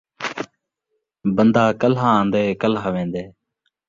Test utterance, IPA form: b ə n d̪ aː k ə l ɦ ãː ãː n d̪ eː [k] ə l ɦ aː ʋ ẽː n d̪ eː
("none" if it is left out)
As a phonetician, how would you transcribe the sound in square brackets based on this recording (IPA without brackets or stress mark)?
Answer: k